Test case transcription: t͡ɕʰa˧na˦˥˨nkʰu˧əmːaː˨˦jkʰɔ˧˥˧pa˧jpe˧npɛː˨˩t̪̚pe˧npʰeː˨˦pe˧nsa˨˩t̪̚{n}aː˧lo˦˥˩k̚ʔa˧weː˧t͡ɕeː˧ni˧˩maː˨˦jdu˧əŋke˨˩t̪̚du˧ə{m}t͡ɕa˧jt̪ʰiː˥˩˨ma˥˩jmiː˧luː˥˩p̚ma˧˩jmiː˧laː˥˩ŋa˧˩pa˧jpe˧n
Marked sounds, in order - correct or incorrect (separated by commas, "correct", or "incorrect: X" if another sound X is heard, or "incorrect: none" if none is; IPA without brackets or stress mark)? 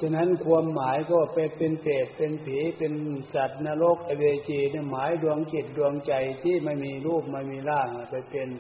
correct, incorrect: ŋ